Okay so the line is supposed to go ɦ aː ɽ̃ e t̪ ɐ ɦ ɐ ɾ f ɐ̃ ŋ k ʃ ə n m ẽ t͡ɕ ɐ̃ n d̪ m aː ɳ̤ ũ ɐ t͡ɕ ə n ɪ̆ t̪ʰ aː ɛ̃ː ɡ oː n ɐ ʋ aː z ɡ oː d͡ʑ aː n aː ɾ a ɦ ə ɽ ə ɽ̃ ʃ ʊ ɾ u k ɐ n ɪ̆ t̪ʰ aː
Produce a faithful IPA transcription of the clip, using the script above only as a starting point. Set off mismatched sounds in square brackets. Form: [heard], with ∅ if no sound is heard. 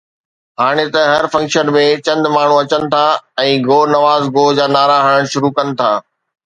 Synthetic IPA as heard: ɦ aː ɽ̃ e t̪ ɐ ɦ ɐ ɾ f ɐ̃ ŋ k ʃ ə n m ẽ t͡ɕ ɐ̃ n d̪ m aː ɳ̤ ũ ɐ t͡ɕ ə n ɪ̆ t̪ʰ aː ɛ̃ː ɡ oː n ɐ ʋ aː z ɡ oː d͡ʑ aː n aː ɾ a ɦ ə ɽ ə ɽ̃ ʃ ʊ ɾ u k ɐ n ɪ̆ t̪ʰ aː

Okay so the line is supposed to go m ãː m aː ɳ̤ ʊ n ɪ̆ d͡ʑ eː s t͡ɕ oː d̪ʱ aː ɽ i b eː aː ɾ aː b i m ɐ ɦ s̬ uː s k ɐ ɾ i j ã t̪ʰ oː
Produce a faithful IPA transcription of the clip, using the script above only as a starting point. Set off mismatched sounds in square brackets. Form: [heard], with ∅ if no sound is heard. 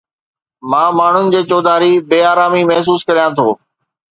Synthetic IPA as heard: m ãː m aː ɳ̤ ʊ n ɪ̆ d͡ʑ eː [∅] t͡ɕ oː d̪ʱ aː [ɾ] i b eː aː ɾ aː [m] i m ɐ ɦ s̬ uː s k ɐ ɾ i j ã t̪ʰ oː

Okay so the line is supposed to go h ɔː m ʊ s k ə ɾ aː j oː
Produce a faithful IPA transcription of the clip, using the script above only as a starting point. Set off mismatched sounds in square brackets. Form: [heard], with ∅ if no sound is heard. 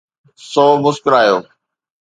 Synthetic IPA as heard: [s] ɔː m ʊ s k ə ɾ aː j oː

